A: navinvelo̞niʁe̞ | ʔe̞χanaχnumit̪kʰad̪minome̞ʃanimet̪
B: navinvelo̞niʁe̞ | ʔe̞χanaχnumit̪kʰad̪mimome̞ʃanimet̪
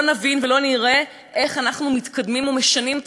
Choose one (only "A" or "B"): B